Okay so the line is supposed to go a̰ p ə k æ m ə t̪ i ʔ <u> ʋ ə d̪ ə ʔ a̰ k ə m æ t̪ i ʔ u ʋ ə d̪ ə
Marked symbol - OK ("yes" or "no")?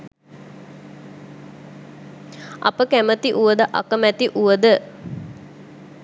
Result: yes